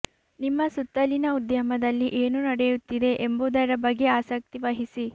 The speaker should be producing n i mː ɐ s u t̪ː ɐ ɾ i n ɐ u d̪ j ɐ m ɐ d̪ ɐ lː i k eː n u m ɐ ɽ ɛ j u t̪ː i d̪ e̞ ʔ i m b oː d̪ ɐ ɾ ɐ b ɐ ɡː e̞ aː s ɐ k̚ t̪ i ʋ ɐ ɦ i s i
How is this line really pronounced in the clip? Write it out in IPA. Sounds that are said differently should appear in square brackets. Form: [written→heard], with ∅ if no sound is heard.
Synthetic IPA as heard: n i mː ɐ s u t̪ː ɐ [ɾ→l] i n ɐ u d̪ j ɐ m ɐ d̪ ɐ lː i [k→ʔ] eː n u [m→n] ɐ ɽ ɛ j u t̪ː i d̪ e̞ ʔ [i→e] m b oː d̪ ɐ ɾ ɐ b ɐ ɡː e̞ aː s ɐ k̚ t̪ i ʋ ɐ ɦ i s i